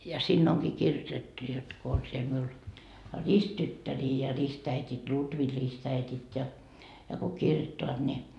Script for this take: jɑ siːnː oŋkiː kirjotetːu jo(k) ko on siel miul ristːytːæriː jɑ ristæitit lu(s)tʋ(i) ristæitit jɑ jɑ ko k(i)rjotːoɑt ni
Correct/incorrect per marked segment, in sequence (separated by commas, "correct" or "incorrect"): incorrect, incorrect, correct, correct